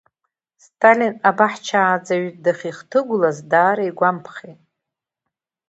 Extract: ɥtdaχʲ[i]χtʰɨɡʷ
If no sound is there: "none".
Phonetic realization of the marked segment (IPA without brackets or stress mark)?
i